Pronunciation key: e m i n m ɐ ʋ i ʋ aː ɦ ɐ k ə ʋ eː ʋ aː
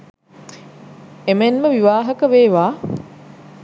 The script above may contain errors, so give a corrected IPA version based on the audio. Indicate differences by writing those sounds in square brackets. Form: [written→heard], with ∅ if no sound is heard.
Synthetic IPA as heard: e m [i→e] n m [ɐ→ə] ʋ i ʋ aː ɦ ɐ k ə ʋ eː ʋ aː